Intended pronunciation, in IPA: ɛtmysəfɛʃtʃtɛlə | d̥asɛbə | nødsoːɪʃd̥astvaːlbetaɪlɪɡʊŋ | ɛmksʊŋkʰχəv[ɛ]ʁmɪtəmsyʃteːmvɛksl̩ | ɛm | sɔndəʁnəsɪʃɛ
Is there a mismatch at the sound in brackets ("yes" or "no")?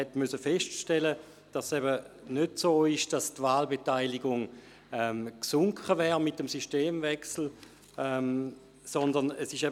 yes